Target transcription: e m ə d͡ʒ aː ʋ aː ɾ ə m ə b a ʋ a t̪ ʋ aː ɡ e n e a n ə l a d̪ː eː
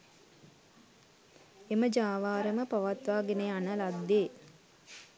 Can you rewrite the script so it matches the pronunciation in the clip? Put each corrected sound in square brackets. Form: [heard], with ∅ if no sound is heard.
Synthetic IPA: e m ə d͡ʒ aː ʋ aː ɾ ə m ə [p] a ʋ a t̪ ʋ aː ɡ e n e a n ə l a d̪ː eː